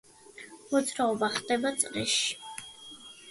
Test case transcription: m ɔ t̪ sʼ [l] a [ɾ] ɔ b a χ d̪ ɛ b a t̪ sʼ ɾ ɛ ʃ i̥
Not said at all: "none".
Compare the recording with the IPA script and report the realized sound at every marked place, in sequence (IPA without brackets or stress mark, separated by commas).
ɾ, none